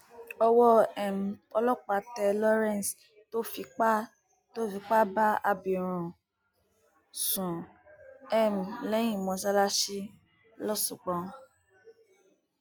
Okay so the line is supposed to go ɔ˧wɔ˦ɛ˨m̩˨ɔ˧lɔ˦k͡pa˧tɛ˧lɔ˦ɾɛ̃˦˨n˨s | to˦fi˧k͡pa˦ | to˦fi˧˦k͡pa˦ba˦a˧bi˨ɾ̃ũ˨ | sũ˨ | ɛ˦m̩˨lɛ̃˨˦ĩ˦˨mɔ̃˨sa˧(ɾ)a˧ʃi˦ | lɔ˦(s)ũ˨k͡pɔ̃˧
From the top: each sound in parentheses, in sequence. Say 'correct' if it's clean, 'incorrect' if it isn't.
incorrect: l, correct

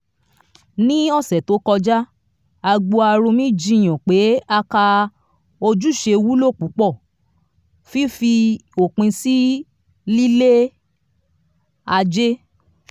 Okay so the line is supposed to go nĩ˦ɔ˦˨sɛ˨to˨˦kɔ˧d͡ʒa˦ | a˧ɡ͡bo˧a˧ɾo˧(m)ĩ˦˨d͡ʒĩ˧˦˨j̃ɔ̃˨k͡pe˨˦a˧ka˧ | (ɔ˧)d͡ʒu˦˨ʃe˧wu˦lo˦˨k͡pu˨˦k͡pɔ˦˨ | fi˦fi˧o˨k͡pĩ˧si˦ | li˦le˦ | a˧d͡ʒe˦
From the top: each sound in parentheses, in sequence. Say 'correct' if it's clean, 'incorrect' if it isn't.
correct, incorrect: o˧

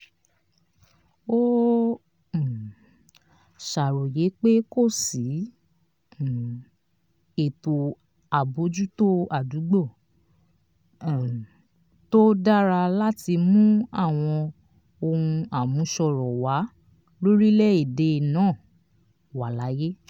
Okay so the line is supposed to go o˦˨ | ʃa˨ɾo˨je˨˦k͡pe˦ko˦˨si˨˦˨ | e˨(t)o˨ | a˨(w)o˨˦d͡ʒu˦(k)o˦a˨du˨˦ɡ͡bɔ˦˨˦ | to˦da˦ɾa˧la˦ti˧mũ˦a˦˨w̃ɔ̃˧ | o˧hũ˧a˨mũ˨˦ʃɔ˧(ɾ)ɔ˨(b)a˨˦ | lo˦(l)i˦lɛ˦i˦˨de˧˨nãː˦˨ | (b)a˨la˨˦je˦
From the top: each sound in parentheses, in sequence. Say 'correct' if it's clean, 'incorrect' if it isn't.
correct, incorrect: b, incorrect: t, correct, incorrect: w, incorrect: ɾ, incorrect: w

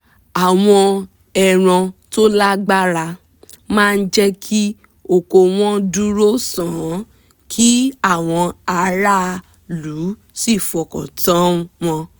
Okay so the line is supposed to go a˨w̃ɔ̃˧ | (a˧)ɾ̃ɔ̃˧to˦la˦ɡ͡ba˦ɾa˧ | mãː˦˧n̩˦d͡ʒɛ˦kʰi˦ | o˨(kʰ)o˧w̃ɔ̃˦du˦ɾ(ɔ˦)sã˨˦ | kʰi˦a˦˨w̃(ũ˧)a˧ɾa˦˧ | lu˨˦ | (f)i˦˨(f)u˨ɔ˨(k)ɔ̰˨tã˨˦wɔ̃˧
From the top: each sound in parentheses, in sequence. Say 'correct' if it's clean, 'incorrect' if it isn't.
incorrect: ɛ˧, incorrect: k, incorrect: o˦, incorrect: ɔ̃˧, incorrect: s, correct, correct

